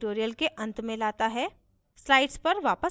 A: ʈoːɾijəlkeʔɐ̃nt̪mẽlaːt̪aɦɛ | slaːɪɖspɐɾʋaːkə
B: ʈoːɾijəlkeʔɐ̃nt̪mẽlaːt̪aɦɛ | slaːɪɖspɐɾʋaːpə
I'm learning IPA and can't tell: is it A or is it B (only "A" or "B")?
B